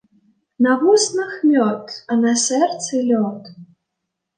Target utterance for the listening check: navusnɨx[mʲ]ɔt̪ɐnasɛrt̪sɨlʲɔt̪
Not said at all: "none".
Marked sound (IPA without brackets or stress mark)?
mʲ